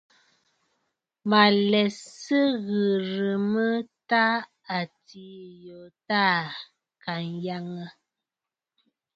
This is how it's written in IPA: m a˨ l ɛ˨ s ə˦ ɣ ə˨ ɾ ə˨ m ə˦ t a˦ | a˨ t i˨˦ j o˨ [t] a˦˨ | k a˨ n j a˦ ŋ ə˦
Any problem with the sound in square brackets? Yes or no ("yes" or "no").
no